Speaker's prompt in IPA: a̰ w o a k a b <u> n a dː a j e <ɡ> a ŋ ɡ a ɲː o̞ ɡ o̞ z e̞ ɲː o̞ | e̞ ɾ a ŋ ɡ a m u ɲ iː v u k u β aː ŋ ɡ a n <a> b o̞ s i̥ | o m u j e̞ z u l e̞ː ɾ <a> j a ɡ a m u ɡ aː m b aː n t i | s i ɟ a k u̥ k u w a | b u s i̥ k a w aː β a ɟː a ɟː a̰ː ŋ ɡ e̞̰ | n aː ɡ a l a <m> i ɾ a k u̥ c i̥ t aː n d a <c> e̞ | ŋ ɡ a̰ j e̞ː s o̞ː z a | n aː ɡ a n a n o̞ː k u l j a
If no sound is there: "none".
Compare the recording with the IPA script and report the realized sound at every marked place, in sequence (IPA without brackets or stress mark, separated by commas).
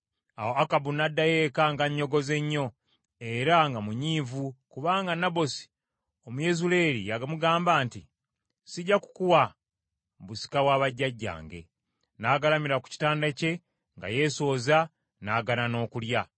u, k, a, i, m, c